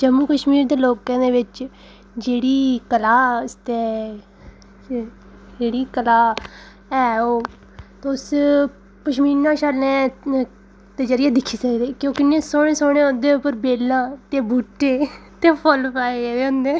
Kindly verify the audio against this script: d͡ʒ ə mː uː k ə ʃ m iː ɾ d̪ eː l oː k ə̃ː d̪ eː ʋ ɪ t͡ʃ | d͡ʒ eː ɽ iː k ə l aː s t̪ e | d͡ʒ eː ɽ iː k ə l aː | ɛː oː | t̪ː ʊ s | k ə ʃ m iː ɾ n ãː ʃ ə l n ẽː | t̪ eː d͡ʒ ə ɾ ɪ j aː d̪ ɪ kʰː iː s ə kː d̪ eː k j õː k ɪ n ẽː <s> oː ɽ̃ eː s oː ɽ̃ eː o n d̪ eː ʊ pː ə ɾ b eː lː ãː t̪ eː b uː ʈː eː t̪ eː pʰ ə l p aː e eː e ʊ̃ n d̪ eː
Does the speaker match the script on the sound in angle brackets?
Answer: yes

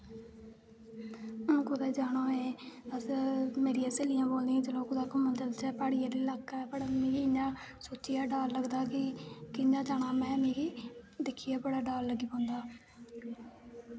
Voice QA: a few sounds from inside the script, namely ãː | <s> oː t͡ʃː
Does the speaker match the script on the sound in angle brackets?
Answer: yes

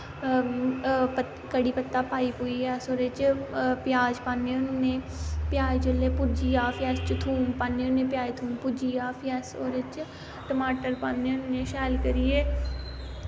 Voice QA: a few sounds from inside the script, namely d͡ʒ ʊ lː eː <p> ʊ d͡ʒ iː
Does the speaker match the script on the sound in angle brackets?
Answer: yes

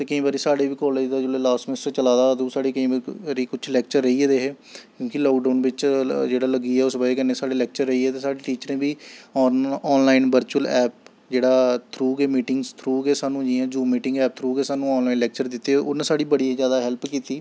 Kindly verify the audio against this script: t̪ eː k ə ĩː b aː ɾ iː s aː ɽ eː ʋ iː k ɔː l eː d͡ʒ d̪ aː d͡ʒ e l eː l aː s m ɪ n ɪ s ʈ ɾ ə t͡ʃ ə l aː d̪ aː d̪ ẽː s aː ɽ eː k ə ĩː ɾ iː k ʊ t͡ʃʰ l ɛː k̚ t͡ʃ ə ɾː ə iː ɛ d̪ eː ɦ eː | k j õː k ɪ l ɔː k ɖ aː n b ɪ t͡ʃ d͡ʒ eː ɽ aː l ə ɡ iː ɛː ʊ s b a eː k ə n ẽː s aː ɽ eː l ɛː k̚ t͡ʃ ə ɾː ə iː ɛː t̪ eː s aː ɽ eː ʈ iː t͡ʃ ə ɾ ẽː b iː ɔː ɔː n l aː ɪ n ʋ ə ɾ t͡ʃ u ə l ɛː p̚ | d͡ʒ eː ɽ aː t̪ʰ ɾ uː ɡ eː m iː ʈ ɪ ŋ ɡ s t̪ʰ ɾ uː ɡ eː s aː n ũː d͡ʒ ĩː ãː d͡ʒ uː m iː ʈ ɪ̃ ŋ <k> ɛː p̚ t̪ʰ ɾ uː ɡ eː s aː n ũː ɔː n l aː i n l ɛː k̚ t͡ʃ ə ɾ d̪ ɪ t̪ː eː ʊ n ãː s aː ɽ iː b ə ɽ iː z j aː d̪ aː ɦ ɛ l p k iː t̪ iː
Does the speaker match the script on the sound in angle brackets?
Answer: no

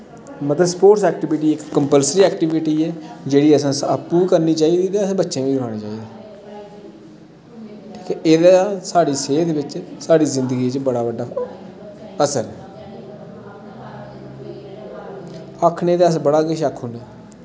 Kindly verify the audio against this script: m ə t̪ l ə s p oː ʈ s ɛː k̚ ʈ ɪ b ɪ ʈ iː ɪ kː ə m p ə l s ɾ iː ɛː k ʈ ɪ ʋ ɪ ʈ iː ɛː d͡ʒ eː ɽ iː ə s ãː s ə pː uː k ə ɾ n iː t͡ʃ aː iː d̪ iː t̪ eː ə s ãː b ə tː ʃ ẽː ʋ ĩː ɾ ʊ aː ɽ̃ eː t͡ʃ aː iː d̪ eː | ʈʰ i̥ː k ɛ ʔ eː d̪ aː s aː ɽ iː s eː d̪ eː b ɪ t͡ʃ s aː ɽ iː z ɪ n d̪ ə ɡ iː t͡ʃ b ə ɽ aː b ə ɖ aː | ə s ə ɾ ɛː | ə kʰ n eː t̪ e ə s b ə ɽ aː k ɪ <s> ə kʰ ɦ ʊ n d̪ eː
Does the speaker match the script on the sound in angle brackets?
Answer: no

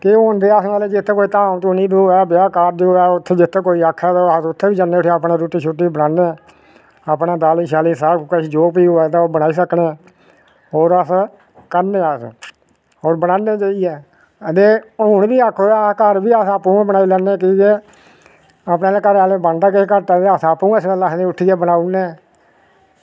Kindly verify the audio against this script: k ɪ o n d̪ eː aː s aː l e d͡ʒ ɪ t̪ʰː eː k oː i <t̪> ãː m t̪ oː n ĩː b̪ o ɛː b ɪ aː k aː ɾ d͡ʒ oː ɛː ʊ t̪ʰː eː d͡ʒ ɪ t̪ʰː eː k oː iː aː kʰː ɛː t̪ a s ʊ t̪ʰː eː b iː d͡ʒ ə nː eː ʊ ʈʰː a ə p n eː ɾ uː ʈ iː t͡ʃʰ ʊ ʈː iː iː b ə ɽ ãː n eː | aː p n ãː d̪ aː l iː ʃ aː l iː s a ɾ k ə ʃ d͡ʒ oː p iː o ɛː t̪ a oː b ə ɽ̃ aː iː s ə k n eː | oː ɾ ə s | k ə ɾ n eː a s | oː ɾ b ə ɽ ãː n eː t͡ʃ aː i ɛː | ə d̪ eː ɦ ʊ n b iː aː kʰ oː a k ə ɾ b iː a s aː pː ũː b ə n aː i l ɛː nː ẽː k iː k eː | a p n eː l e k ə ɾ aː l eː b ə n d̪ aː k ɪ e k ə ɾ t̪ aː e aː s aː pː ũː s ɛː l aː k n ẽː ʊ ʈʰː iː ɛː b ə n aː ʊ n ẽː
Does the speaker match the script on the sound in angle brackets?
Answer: yes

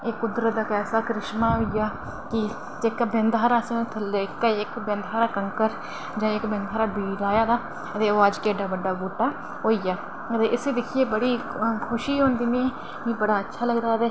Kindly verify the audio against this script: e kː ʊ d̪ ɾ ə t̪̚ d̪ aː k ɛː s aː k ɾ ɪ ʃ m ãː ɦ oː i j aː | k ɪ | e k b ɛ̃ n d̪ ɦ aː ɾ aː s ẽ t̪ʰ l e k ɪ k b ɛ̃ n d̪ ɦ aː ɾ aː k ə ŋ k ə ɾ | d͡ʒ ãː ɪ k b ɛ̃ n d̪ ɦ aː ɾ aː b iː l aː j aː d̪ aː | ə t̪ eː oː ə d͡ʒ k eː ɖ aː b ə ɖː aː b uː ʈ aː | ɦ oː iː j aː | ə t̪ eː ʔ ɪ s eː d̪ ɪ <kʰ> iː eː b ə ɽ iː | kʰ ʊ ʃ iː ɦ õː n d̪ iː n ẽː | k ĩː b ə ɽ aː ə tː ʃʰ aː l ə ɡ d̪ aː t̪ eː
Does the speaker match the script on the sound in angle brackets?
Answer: yes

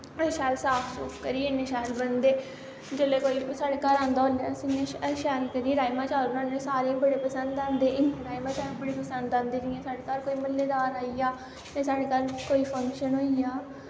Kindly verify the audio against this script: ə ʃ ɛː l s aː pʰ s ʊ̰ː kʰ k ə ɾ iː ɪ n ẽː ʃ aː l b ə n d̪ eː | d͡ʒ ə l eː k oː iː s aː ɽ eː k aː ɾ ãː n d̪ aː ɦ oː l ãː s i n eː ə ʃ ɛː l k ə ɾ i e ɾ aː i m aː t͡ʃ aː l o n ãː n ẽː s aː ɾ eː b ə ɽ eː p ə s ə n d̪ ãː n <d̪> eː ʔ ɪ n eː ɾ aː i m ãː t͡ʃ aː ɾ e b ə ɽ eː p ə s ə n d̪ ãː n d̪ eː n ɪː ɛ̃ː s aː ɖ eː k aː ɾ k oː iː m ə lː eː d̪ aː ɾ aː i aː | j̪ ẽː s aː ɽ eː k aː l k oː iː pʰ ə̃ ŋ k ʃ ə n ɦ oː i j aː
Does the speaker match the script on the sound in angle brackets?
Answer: yes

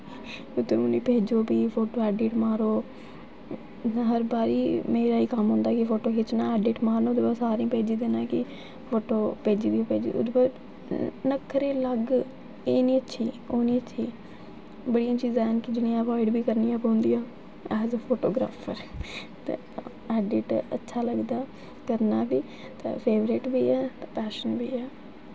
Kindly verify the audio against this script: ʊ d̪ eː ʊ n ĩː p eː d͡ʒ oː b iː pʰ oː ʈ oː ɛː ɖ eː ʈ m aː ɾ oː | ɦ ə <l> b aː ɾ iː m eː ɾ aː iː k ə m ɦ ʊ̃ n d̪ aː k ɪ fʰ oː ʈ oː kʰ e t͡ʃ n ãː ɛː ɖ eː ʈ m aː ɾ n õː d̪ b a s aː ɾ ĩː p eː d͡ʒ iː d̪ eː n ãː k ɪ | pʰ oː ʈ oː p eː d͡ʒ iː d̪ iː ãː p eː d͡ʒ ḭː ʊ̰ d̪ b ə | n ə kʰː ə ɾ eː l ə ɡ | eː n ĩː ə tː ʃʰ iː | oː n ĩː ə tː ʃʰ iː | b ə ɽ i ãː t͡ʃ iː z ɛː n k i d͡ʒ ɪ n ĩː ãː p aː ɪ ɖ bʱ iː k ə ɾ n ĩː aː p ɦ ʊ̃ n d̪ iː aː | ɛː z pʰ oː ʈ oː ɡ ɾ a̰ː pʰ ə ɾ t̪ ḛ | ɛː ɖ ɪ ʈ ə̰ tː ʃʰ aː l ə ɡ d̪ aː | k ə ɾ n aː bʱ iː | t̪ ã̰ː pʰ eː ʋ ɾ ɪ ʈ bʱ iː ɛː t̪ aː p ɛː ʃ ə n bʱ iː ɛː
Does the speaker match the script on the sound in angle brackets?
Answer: no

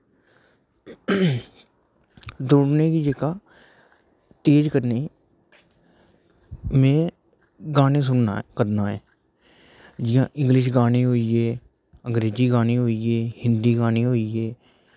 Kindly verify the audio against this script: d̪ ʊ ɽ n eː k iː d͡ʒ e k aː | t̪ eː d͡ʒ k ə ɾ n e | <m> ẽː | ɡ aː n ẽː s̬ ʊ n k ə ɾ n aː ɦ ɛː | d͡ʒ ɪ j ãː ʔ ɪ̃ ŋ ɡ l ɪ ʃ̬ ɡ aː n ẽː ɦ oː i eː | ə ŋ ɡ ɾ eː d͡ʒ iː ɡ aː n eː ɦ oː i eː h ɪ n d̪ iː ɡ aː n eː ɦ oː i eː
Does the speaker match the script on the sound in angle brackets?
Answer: yes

